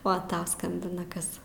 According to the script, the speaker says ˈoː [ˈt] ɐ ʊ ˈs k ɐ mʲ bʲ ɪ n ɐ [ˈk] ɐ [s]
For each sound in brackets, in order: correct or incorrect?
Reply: correct, correct, correct

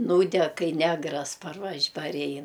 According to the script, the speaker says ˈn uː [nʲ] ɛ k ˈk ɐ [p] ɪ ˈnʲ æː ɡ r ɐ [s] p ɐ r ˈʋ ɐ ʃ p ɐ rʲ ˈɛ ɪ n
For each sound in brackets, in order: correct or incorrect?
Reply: incorrect: dʲ, incorrect: none, correct

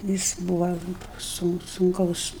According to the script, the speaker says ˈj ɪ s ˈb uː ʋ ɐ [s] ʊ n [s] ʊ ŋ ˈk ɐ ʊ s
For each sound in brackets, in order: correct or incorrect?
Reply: correct, correct

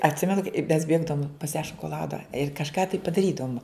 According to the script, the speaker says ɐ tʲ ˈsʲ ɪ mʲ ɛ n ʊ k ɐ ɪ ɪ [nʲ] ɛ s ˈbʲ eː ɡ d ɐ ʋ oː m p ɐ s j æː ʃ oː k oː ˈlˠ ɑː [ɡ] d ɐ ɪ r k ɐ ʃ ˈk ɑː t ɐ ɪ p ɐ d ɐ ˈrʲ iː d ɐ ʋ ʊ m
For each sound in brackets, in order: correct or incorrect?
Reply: incorrect: mʲ, incorrect: none

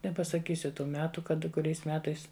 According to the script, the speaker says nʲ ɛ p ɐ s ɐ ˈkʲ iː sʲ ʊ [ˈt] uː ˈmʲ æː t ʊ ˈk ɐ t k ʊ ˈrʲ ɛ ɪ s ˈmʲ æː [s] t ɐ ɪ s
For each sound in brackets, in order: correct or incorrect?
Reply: correct, incorrect: none

